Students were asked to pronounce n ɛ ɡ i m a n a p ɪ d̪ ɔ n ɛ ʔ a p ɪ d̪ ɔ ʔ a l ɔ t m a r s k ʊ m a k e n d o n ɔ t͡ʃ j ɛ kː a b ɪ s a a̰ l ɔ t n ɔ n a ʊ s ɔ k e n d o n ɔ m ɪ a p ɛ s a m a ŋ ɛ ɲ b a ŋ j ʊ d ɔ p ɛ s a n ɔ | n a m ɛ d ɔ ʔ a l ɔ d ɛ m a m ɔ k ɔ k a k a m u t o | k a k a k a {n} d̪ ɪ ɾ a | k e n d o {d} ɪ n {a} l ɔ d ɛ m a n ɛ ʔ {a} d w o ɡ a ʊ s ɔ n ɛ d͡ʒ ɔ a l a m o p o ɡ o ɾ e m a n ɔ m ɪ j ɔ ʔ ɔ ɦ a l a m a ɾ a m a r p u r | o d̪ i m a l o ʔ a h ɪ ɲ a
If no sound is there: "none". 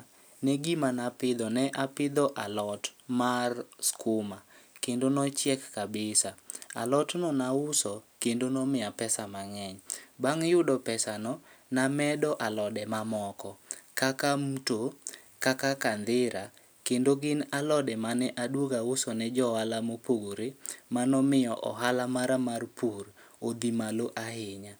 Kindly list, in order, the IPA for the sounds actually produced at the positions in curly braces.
n, ɡ, a, a

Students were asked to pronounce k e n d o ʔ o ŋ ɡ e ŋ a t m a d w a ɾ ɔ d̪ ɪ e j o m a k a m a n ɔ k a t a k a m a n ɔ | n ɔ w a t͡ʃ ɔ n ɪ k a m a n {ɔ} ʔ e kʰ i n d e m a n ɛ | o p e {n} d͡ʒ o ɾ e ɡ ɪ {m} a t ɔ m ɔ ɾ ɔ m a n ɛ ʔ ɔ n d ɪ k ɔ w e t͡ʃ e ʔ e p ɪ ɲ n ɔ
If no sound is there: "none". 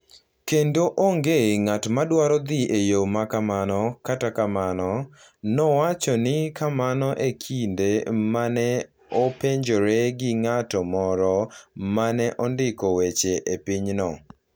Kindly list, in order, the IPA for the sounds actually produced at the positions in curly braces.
ɔ, ɲ, ŋ

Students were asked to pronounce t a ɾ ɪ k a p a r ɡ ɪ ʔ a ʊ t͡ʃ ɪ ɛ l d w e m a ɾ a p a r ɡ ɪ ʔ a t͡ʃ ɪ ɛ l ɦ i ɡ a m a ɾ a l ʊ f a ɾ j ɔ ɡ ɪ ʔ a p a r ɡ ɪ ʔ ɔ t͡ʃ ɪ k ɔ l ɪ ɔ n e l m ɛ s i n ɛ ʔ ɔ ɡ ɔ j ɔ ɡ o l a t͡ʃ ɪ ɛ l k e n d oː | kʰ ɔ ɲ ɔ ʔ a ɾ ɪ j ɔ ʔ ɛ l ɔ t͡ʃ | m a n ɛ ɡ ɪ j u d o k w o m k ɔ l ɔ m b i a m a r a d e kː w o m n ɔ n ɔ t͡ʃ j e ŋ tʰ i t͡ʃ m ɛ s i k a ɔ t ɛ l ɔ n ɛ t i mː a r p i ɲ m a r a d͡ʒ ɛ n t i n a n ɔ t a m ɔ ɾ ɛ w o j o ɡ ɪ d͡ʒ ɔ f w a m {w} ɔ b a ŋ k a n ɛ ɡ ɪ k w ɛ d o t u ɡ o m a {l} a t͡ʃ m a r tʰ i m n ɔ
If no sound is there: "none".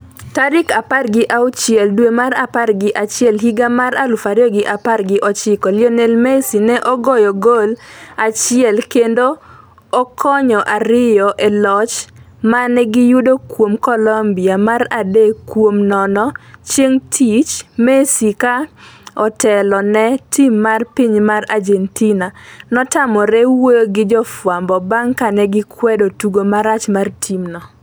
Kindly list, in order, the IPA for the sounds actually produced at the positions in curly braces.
b, ɾ

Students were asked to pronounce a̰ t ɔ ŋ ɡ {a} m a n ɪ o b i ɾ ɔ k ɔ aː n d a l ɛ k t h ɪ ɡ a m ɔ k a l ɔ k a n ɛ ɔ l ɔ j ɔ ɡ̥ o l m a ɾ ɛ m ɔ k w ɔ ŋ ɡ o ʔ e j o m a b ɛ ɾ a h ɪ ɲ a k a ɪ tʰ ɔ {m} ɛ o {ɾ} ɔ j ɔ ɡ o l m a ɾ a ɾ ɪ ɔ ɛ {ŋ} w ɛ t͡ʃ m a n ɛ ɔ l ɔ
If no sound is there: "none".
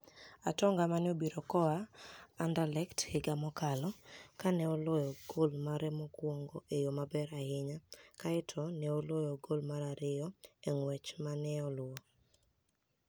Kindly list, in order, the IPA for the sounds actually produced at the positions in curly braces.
a, n, l, ŋ

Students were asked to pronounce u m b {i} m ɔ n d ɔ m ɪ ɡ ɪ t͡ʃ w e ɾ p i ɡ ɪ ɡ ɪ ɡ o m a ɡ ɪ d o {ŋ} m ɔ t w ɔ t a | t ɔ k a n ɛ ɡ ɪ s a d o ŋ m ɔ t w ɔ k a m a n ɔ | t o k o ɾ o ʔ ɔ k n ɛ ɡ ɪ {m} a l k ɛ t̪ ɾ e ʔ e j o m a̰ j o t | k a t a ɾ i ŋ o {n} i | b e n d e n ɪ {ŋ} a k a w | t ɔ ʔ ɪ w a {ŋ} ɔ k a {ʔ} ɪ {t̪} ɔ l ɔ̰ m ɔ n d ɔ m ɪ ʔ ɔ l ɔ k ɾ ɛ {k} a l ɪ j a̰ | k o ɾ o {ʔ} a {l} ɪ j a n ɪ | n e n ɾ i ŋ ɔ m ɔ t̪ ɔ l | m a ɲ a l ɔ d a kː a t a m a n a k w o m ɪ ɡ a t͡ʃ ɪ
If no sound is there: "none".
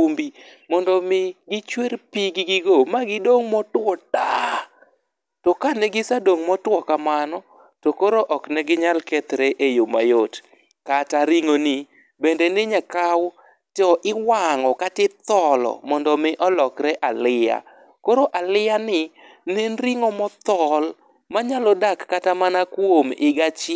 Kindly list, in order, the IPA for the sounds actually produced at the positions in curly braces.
i, ŋ, ɲ, n, ɲ, ŋ, t, t̪, ʔ, ʔ, l

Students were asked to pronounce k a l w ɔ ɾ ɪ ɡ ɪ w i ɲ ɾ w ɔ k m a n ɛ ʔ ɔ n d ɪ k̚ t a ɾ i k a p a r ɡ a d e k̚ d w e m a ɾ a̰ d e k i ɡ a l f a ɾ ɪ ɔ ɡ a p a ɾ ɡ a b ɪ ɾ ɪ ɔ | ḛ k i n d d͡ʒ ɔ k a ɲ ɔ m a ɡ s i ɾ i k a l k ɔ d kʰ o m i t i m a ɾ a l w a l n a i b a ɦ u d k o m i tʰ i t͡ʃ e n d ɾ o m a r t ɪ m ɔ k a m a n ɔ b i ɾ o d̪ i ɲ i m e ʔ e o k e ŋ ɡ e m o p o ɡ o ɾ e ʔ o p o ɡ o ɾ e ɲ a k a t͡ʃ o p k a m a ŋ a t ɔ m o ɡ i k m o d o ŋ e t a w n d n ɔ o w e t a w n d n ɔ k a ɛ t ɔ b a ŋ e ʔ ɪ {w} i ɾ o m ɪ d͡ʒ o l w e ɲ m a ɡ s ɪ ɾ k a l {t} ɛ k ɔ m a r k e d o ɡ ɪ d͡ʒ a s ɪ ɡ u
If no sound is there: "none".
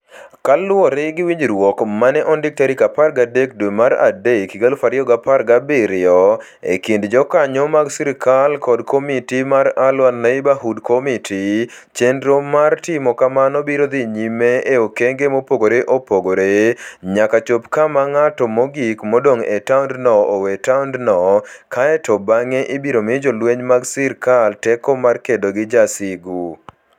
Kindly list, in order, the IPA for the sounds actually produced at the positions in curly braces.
b, t

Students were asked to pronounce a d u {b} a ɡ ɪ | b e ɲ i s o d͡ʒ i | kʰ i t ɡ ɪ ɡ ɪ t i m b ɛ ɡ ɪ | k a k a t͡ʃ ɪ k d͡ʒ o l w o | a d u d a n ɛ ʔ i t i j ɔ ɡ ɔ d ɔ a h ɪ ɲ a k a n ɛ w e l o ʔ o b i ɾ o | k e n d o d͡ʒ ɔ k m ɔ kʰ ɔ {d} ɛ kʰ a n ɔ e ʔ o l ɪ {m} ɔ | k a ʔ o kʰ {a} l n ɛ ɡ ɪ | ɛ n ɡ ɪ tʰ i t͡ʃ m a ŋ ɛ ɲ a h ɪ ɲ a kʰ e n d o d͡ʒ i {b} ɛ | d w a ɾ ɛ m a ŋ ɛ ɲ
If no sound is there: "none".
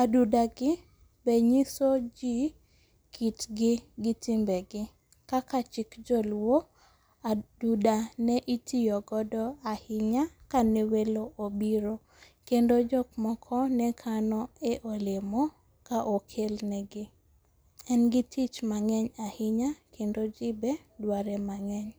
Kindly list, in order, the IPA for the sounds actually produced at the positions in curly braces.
d, n, m, e, b

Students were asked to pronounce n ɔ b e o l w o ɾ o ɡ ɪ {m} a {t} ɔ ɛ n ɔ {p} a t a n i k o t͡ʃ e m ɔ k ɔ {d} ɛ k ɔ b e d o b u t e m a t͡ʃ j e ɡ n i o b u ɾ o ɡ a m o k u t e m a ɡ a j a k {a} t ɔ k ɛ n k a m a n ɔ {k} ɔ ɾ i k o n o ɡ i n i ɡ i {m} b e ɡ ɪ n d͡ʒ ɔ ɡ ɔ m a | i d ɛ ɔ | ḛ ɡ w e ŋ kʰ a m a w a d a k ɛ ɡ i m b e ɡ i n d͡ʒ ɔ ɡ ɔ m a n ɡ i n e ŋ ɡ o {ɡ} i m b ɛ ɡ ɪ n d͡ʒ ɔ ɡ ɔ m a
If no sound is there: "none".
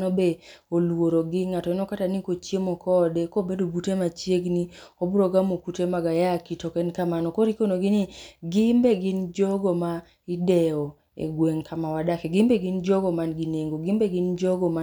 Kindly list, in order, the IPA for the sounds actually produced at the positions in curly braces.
ŋ, t, k, d, i, k, m, ɡ

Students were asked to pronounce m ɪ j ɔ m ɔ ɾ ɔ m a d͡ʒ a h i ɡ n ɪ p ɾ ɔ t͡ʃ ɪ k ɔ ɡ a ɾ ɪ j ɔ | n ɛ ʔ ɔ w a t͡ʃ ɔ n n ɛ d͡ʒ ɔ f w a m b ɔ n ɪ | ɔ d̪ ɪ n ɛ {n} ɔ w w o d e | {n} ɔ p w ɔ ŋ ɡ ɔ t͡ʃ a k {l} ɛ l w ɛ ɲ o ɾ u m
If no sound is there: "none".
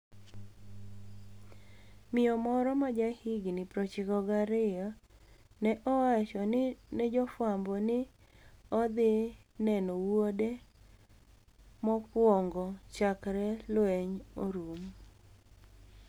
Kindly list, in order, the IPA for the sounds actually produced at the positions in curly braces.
n, m, ɾ

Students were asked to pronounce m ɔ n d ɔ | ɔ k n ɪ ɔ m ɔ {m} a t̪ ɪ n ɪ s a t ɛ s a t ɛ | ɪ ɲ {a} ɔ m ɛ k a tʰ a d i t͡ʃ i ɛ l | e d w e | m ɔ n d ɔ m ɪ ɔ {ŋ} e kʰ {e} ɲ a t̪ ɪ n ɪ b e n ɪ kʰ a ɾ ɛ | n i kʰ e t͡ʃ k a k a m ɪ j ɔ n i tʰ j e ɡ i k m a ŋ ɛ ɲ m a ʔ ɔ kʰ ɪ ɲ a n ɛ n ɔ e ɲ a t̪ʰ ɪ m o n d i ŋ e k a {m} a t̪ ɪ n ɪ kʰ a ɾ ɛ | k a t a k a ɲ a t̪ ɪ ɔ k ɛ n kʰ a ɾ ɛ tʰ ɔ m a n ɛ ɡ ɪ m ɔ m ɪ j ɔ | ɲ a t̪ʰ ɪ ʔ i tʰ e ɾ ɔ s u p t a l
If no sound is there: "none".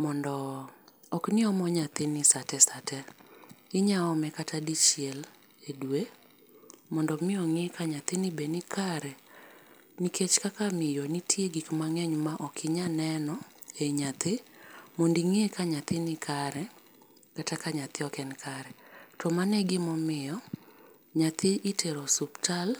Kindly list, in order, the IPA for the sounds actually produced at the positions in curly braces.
ɲ, a, ŋ, a, ɲ

